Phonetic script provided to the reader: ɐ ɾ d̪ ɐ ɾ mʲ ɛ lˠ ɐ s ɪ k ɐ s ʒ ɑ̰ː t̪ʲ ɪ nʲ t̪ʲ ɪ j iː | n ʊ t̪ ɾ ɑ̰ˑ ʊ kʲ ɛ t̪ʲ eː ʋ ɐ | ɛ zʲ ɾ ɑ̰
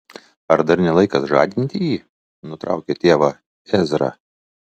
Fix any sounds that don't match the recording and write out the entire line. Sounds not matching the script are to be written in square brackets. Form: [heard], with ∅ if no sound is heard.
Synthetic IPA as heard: ɐ ɾ d̪ ɐ ɾ [nʲ] ɛ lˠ ɐ [∅] ɪ k ɐ s ʒ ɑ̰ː [d̪ʲ] ɪ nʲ t̪ʲ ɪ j iː | n ʊ t̪ ɾ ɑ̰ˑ ʊ kʲ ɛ t̪ʲ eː ʋ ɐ | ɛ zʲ ɾ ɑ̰